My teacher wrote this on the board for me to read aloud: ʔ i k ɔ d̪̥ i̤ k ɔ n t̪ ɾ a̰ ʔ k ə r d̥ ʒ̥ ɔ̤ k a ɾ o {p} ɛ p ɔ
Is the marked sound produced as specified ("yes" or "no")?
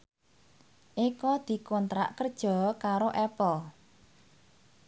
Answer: no